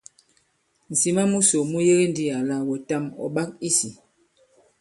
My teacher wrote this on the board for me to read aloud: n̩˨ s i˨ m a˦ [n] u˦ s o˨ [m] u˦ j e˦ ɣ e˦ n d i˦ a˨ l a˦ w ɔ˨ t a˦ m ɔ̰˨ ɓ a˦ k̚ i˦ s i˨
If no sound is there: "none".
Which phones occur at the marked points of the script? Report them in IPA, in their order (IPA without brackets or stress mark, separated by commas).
m, m